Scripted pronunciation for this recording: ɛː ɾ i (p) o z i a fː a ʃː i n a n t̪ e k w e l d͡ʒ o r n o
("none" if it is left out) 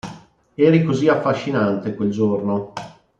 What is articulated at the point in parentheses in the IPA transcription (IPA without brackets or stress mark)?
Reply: k